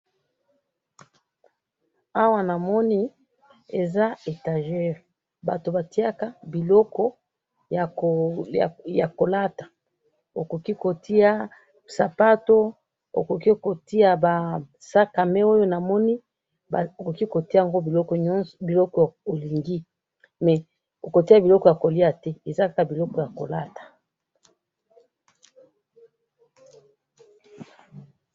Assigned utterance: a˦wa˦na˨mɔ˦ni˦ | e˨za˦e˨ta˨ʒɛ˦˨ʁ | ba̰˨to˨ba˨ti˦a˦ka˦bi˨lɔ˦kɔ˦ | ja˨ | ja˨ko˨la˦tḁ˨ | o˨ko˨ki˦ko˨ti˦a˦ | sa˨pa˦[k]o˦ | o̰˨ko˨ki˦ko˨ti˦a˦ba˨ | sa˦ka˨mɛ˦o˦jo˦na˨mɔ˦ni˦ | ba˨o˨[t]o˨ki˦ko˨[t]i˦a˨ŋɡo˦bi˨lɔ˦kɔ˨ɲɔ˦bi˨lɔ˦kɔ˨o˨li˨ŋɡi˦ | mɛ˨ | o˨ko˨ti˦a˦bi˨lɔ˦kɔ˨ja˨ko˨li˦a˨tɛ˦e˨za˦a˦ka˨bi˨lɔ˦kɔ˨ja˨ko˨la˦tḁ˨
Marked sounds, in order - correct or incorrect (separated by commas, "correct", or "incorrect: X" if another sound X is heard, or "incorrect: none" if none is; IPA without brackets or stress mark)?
incorrect: t, incorrect: k, correct